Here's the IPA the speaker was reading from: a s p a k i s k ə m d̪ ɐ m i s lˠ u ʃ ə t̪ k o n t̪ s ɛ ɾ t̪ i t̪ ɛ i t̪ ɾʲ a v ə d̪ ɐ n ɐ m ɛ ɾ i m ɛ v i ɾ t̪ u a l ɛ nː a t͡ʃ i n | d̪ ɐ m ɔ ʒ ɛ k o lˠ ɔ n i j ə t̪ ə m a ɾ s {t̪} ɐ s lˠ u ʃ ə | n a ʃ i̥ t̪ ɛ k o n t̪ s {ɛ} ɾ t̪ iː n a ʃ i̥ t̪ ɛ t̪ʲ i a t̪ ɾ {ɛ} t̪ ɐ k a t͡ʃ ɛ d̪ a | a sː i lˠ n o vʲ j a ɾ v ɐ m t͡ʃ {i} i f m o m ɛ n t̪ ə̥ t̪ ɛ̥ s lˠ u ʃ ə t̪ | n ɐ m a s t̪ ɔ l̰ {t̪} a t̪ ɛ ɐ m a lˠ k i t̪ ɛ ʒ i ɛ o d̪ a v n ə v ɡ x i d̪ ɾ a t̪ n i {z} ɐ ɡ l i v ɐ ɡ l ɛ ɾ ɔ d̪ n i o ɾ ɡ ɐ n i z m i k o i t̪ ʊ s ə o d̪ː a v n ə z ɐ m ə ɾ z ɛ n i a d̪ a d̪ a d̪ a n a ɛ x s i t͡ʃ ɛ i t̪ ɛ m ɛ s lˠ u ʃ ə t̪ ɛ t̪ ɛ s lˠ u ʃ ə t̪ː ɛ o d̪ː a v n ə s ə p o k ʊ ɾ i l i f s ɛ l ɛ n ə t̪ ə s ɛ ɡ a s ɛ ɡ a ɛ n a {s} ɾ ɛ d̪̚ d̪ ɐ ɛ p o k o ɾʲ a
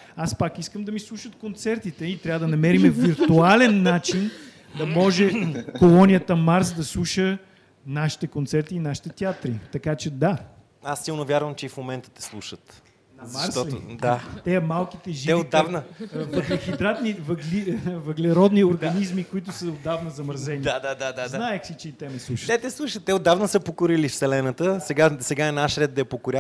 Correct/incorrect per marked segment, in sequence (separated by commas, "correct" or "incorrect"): incorrect, correct, incorrect, incorrect, incorrect, incorrect, incorrect